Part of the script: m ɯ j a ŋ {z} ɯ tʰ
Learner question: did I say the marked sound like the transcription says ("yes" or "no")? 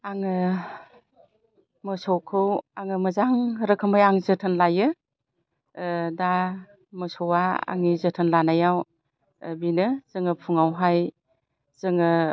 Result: yes